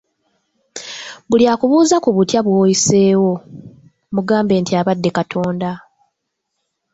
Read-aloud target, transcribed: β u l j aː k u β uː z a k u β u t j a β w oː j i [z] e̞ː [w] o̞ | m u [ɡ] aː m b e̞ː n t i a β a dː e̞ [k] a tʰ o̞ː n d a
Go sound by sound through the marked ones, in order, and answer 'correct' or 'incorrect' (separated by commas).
incorrect, correct, correct, correct